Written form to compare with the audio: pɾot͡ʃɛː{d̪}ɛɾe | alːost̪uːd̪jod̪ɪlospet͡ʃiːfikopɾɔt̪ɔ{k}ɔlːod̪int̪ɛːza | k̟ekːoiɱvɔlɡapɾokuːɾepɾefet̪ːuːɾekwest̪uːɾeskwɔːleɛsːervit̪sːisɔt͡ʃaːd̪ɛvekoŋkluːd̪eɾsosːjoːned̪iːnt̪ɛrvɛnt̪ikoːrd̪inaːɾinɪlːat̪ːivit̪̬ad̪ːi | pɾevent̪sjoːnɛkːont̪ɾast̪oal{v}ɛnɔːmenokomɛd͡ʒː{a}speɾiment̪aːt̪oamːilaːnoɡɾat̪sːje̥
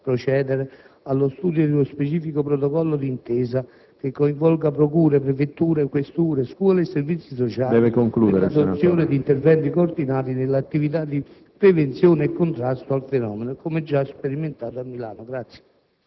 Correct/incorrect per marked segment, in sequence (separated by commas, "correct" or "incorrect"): correct, correct, incorrect, correct